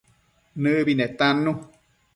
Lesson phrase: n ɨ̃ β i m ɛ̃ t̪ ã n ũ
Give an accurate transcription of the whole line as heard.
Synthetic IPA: n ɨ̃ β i n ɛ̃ t̪ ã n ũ